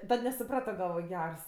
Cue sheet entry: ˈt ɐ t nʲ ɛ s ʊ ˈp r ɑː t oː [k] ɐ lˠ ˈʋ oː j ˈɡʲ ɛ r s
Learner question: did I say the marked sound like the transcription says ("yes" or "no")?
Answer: no